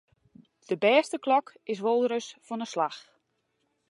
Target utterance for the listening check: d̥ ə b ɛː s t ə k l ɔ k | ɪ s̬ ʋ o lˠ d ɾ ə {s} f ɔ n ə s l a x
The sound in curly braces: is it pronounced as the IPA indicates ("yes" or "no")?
yes